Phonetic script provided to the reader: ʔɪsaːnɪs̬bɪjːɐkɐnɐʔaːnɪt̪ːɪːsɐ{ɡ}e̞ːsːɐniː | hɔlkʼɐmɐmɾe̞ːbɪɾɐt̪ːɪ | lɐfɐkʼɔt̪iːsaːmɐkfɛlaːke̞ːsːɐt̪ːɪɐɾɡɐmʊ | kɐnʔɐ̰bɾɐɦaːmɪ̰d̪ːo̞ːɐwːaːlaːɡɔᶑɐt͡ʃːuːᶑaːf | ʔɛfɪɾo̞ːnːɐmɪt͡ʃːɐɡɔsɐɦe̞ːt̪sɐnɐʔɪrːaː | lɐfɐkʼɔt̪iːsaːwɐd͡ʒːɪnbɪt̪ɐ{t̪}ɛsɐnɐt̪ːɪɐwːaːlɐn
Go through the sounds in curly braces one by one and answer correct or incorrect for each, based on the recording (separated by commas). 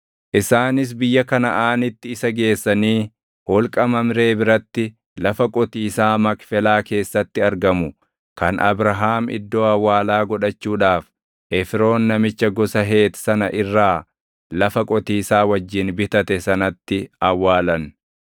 correct, correct